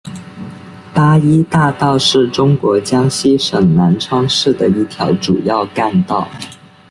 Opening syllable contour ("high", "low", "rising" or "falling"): high